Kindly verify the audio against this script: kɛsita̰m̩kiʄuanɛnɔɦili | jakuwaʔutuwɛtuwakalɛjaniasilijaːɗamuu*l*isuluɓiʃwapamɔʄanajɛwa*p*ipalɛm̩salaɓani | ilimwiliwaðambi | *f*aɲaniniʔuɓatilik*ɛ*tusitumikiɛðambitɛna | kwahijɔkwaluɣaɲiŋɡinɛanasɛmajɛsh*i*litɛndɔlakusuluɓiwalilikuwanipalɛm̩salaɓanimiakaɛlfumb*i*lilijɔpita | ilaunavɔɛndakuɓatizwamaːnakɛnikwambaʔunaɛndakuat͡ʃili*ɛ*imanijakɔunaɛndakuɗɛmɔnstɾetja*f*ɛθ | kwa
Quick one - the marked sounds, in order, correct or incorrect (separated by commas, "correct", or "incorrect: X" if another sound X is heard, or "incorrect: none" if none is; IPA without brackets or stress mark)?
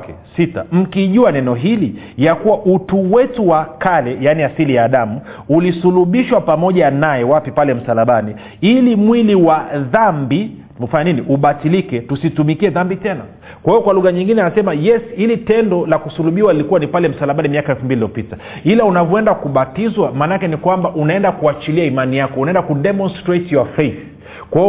correct, correct, correct, correct, correct, correct, incorrect: a, correct